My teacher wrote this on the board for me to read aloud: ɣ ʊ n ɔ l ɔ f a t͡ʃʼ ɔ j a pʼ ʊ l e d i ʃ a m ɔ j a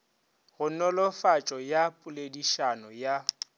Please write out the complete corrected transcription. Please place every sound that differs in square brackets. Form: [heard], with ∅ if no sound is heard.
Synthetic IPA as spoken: ɣ ʊ n ɔ l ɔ f a t͡ʃʼ ɔ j a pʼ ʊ l e d i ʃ a [n] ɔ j a